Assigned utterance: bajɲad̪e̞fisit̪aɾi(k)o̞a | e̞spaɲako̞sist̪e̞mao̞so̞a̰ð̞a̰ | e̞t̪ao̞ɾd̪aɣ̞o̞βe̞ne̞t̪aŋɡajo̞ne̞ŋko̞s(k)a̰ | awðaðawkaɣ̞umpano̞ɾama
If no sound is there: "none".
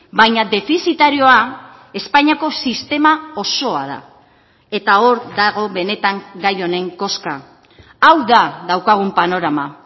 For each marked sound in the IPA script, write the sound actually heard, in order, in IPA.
none, k

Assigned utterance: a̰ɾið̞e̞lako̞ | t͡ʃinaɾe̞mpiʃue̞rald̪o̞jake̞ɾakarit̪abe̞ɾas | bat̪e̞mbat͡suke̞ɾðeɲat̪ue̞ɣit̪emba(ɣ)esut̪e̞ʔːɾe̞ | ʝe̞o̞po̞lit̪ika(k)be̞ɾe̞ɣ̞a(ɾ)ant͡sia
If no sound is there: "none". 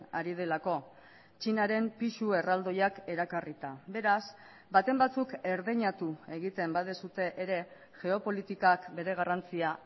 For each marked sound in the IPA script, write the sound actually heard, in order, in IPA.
ð, k, r

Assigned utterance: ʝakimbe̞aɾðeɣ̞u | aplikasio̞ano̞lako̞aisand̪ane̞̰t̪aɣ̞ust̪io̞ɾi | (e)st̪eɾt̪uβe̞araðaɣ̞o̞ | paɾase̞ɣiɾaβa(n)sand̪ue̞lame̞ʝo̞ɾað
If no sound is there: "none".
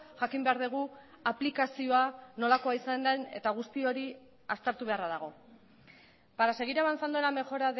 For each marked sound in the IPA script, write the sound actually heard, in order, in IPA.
a, n

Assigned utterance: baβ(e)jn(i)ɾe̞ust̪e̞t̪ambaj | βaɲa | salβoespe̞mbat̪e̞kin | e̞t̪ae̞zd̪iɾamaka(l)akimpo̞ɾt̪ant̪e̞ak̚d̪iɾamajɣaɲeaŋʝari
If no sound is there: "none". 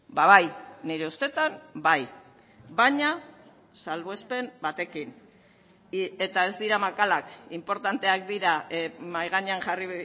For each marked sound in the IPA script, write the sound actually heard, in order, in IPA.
a, i, l

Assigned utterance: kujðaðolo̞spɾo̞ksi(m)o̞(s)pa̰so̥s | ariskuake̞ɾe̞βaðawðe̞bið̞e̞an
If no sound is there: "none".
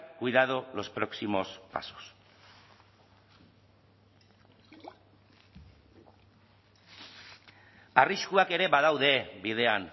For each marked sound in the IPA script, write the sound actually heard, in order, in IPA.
m, s

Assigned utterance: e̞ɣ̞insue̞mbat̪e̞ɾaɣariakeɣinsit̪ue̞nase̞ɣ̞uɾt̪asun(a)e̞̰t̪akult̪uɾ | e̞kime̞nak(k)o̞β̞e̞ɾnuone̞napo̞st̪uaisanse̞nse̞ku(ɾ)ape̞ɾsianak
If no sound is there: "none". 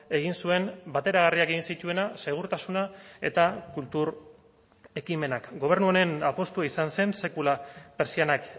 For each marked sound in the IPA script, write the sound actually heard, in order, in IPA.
a, ɡ, l

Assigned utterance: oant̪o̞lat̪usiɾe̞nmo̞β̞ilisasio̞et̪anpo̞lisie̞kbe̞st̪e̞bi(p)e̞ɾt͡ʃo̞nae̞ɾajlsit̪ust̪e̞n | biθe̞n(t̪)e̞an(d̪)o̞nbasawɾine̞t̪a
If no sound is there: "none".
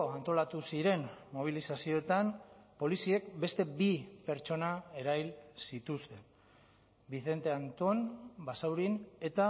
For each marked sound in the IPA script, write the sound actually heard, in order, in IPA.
p, t̪, t̪

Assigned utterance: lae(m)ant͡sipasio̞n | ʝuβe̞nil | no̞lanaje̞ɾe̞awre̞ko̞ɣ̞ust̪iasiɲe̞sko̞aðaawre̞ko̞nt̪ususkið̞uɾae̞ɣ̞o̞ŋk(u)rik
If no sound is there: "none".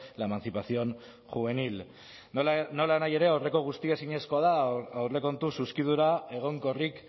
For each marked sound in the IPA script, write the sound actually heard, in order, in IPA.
m, o

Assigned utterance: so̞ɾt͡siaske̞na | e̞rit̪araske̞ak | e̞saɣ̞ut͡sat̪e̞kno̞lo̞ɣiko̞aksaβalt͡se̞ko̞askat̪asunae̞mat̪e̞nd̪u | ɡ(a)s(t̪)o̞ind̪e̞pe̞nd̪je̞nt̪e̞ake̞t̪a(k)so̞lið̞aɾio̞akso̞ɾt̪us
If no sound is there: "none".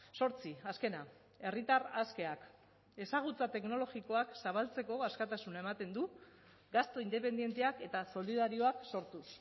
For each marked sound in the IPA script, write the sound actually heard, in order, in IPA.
a, t̪, none

